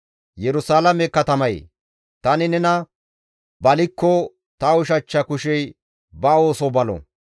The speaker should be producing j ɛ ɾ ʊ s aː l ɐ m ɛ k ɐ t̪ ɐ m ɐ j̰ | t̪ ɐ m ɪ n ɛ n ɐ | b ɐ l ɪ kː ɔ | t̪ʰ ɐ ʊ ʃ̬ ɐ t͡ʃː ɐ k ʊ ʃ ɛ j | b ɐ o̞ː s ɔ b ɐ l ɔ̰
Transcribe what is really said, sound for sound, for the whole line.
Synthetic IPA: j ɛ ɾ ʊ s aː l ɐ m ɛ k ɐ t̪ ɐ m ɐ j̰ | t̪ ɐ n ɪ n ɛ n ɐ | b ɐ l ɪ kː ɔ | t̪ ɐ ʊ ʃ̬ ɐ t͡ʃː ɐ k ʊ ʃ ɛ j | b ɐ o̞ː s ɔ b ɐ l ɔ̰